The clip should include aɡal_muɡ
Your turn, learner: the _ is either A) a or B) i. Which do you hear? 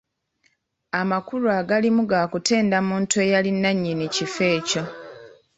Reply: B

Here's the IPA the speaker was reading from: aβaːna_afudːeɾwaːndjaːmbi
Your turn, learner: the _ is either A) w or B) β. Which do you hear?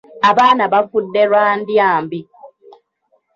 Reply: B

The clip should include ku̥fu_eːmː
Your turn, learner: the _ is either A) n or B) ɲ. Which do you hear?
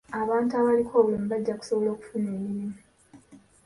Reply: A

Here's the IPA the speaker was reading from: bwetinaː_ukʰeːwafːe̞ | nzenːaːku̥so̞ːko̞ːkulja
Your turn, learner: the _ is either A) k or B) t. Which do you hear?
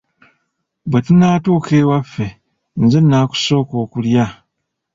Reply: B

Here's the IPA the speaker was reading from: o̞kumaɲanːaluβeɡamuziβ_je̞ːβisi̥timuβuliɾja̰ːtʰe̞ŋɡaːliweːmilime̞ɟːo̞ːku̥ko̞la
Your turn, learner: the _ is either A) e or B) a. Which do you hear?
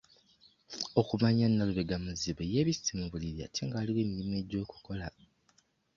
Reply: A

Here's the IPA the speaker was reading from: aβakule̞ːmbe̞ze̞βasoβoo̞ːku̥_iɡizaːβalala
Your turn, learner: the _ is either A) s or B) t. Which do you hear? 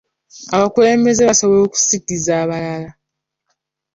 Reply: A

